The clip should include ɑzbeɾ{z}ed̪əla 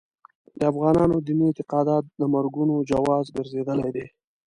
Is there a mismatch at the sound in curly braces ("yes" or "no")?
no